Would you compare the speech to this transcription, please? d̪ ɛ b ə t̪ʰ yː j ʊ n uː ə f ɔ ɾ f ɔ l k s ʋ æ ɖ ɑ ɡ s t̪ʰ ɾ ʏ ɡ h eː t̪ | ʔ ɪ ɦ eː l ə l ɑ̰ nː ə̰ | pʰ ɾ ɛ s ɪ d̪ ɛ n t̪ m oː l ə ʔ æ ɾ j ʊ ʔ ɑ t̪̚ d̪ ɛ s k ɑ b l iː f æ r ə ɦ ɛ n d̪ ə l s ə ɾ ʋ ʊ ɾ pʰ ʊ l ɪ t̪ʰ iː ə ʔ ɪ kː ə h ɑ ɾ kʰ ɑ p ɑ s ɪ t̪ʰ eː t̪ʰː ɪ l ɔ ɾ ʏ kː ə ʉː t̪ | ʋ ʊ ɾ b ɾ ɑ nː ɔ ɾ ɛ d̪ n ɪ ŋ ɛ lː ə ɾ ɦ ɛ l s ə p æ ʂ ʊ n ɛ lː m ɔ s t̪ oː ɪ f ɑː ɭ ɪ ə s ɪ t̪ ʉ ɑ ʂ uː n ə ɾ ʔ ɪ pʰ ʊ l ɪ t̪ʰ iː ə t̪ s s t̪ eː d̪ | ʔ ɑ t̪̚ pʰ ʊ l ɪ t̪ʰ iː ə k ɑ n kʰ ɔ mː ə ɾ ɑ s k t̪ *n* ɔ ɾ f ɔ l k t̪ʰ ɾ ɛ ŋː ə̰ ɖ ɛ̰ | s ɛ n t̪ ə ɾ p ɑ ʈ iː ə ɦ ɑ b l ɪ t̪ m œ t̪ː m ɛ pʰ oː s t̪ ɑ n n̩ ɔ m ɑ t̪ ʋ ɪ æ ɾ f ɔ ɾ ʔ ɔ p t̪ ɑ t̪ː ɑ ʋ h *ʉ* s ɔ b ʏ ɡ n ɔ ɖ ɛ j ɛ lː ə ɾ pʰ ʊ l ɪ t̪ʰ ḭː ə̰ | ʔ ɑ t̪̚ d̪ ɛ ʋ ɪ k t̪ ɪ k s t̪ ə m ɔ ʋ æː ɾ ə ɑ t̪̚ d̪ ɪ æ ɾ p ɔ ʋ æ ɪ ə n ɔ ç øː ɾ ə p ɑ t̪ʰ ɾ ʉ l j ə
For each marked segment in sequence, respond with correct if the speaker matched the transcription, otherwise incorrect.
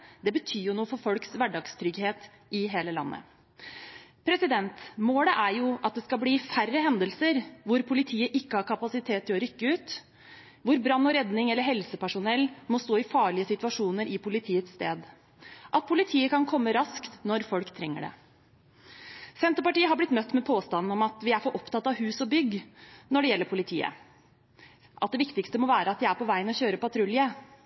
correct, incorrect

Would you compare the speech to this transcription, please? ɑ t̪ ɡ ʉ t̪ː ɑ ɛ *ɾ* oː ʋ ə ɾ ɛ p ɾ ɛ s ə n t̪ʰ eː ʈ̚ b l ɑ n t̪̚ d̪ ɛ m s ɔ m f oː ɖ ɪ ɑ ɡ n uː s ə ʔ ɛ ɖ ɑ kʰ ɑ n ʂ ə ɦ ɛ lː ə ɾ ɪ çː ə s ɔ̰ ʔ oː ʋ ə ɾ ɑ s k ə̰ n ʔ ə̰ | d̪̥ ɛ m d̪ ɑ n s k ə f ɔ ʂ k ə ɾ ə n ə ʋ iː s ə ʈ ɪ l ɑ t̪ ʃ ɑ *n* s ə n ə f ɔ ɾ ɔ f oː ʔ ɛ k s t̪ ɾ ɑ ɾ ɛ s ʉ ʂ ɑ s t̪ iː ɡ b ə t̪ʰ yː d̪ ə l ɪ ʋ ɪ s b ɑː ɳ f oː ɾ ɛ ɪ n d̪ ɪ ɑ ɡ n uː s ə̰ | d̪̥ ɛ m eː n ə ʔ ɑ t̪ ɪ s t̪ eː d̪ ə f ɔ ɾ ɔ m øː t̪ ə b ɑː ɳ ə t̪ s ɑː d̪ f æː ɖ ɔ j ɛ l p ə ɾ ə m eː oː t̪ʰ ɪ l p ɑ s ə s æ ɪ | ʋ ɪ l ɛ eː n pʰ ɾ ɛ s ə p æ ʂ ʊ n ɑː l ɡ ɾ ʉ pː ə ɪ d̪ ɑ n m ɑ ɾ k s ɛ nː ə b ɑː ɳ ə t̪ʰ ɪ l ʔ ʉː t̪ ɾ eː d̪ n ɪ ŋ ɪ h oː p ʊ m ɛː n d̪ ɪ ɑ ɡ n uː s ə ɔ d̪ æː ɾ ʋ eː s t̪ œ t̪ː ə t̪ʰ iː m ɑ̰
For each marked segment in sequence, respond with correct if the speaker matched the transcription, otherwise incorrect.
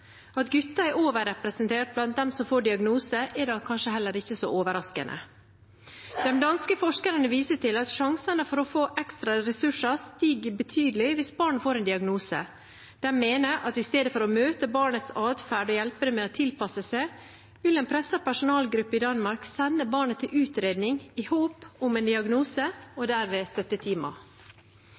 correct, incorrect

